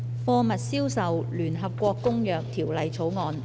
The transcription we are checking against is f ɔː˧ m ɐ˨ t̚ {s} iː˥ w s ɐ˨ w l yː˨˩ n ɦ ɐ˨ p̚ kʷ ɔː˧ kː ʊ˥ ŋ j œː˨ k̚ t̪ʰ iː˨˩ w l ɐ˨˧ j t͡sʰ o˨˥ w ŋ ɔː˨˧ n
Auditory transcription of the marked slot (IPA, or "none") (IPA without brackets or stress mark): s